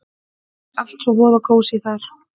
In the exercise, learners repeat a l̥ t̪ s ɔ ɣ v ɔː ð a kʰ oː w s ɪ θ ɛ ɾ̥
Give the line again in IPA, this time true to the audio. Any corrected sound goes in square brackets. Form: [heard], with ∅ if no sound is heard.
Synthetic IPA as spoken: a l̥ t̪ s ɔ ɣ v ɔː ð a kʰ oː w s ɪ θ [a] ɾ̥

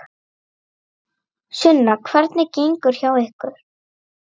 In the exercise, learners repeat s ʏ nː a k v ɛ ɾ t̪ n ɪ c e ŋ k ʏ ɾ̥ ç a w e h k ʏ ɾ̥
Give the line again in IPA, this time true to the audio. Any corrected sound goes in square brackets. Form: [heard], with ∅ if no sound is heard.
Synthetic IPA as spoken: s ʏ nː a [kʰ] v ɛ ɾ t̪ n ɪ c e ŋ k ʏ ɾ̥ ç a w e h k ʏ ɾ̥

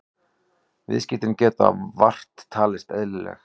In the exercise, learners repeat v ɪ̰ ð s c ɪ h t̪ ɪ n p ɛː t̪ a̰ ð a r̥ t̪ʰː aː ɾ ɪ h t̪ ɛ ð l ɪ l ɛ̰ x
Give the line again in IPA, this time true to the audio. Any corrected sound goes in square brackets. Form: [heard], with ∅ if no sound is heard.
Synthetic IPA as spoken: v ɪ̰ ð s c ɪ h t̪ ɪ n [c] ɛː t̪ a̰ [v] a r̥ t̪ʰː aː [l] ɪ [s] t̪ ɛ ð l ɪ l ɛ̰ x

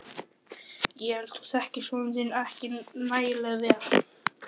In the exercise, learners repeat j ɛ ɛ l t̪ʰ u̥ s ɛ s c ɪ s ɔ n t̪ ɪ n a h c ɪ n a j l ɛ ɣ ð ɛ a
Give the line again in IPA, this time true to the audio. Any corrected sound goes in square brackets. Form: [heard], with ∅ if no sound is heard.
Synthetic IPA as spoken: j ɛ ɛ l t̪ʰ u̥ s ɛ [h] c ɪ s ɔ n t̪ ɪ n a h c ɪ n a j l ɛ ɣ ð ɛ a

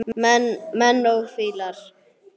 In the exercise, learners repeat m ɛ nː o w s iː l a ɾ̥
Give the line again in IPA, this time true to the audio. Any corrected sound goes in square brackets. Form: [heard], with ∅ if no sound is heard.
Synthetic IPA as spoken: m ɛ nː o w [f] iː l a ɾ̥

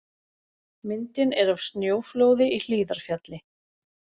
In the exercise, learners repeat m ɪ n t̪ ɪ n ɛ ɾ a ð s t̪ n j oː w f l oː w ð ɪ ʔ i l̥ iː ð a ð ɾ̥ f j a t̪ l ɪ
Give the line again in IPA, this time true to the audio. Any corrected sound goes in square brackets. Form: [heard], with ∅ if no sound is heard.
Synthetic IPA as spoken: m ɪ n t̪ ɪ n ɛ ɾ a [v] s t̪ n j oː w f l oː w ð ɪ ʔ i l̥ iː ð a [∅] ɾ̥ f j a t̪ l ɪ

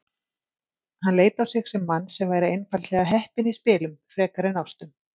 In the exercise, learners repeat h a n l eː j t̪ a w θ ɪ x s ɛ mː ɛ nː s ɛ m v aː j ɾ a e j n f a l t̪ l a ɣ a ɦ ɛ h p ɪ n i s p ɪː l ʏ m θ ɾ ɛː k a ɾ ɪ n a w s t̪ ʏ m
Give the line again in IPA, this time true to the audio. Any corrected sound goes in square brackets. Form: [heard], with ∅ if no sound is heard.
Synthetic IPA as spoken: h a n l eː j t̪ a w [s] ɪ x s ɛ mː [a] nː s ɛ m v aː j ɾ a e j n f a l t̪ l [ɛ] ɣ a ɦ ɛ h p ɪ n i s p ɪː l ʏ m [f] ɾ ɛː k a ɾ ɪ n a w s t̪ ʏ m

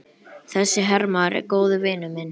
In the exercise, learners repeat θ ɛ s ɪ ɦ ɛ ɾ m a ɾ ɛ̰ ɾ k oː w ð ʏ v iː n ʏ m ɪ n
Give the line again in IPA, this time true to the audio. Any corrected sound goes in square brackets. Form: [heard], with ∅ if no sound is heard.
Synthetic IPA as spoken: θ ɛ [sː] ɪ ɦ ɛ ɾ m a ɾ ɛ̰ ɾ k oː w ð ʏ v [ɪː] n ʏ m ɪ n

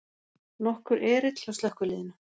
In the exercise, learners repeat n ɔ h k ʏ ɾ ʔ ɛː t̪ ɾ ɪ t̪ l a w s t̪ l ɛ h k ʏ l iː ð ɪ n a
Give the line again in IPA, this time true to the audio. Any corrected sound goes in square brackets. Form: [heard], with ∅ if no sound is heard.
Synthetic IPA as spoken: n ɔ h k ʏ ɾ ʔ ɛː [∅] ɾ ɪ t̪ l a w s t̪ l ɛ h k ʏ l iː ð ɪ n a

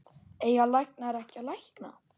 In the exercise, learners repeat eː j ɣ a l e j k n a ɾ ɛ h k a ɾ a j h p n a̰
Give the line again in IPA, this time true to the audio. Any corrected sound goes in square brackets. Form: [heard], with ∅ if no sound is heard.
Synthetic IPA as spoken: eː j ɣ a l [a] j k n a ɾ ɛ h [c] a [l] a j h [k] n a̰

